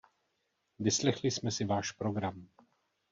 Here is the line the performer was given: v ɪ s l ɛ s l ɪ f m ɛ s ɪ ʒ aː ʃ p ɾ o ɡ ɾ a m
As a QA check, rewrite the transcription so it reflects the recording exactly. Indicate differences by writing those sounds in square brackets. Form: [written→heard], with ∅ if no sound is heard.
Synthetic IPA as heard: v ɪ s l ɛ [s→x] l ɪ [f→s] m ɛ s ɪ [ʒ→v] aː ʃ p ɾ o ɡ ɾ a m